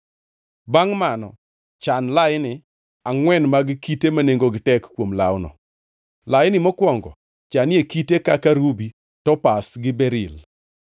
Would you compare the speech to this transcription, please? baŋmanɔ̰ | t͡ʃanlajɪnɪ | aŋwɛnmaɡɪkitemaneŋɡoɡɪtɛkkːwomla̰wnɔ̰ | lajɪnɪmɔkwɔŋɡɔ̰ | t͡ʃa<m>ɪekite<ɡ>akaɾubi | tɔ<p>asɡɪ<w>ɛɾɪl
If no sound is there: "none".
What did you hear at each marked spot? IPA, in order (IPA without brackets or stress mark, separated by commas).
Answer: n, k, p, b